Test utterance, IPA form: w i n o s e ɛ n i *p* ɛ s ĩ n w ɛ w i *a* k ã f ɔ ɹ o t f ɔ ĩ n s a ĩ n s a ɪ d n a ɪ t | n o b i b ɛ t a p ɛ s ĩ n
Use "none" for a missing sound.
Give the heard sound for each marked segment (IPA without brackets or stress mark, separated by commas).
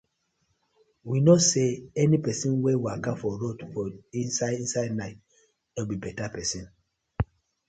p, a